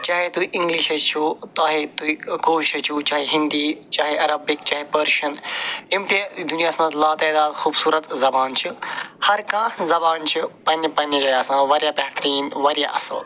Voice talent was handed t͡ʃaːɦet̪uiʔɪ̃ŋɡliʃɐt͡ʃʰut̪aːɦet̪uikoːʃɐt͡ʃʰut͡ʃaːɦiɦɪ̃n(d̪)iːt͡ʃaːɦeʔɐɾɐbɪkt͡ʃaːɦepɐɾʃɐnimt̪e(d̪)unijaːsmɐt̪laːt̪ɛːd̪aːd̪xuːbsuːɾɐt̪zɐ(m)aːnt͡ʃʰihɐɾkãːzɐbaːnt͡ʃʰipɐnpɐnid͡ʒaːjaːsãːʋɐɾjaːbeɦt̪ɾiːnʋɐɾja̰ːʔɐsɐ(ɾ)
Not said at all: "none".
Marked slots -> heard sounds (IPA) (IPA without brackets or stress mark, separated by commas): d̪, d̪, b, l